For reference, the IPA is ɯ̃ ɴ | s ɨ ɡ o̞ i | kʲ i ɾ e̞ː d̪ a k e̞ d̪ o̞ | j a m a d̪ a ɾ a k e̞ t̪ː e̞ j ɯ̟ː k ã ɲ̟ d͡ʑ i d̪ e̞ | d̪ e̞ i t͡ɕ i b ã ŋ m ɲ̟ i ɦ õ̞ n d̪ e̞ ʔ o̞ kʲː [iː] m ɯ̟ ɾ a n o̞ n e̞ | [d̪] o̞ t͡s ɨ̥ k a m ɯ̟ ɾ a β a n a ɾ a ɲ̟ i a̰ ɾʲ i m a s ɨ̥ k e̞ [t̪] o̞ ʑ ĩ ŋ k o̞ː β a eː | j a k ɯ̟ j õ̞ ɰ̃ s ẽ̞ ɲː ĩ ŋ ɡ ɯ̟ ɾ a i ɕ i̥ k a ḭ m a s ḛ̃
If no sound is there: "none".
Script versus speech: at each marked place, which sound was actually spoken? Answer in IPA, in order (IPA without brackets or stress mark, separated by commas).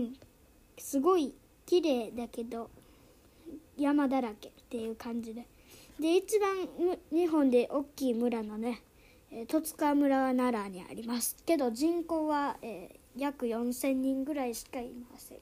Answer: iː, t̪, d̪